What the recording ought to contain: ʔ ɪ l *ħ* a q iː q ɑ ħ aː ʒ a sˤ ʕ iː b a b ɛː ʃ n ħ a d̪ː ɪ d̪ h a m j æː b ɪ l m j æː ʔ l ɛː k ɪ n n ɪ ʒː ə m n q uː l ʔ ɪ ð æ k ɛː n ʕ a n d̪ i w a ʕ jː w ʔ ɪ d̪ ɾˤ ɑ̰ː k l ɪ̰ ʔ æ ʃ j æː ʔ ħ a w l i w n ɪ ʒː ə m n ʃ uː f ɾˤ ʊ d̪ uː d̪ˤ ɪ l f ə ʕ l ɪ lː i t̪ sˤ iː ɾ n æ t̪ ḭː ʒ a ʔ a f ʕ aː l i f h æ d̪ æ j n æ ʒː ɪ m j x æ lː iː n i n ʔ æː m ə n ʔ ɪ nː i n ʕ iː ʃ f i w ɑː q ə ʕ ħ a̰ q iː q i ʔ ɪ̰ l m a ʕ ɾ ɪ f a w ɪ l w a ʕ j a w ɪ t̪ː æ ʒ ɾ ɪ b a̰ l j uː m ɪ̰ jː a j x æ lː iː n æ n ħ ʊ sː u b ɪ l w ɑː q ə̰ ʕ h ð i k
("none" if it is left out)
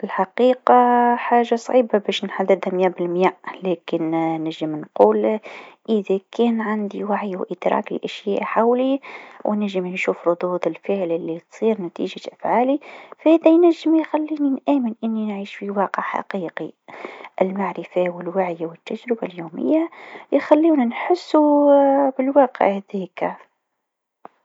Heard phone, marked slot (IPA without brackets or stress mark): ħ